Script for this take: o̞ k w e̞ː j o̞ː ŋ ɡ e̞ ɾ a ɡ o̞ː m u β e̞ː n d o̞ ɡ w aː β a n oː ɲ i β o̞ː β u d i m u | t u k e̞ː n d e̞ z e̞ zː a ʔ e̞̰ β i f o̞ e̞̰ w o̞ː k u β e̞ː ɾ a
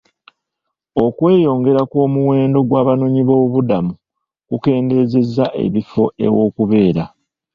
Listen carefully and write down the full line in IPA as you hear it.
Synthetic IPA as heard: o̞ k w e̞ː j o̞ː ŋ ɡ e̞ ɾ a k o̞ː m u w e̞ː n d o̞ ɡ w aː β a n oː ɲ i β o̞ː β u d a m u | k u k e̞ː n d e̞ z e̞ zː a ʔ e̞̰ β i f o̞ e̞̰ w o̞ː k u β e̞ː ɾ a